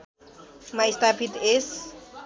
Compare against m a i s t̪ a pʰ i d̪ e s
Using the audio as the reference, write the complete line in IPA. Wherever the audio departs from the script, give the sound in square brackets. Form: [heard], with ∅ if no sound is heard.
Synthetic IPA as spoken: m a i s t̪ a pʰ i [t̪] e s